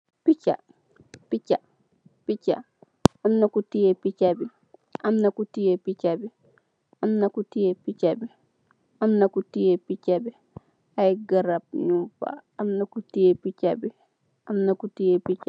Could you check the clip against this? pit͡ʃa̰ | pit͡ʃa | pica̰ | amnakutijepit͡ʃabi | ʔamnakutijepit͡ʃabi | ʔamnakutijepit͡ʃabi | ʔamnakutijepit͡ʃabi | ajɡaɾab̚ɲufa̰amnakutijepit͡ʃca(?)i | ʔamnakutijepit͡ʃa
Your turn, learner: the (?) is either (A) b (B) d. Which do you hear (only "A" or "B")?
A